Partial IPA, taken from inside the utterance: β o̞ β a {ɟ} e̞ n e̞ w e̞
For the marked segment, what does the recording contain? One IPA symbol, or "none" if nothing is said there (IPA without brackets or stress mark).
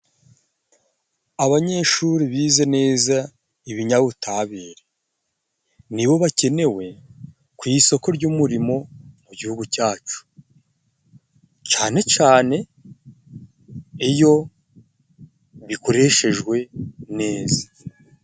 c